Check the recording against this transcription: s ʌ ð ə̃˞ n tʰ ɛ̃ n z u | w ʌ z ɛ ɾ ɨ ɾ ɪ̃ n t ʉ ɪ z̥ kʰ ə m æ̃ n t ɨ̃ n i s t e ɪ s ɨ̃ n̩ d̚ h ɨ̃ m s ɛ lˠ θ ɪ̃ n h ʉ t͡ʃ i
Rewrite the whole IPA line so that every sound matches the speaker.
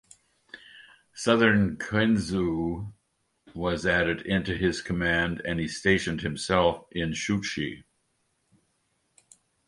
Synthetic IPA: s ʌ ð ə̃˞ n kʰ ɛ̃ n z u | w ʌ z æ ɾ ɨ ɾ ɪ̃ n t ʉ ɪ z̥ kʰ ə m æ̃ n d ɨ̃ n i s t e ɪ ʃ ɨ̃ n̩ d̚ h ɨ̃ m s ɛ lˠ f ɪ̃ n ʃ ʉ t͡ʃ i